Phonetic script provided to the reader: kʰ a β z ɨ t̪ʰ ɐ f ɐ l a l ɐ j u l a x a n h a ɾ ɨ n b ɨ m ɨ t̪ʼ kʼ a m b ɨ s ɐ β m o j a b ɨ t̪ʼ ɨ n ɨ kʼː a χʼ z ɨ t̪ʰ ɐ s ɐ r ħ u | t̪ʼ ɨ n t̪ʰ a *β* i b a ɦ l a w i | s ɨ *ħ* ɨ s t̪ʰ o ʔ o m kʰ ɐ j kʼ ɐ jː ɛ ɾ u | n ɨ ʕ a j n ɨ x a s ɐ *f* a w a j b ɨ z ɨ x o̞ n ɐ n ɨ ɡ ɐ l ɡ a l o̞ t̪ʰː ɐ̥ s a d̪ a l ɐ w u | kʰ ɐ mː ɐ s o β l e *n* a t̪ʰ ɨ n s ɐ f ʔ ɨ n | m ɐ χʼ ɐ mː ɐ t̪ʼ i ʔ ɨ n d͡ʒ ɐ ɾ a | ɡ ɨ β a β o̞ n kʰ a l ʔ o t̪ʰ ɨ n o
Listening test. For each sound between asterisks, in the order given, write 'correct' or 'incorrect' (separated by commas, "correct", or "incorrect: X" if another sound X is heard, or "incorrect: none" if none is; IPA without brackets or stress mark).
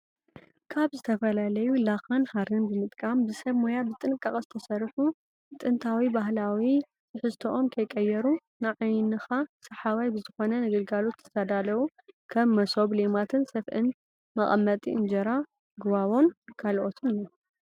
incorrect: w, correct, incorrect: ħ, incorrect: m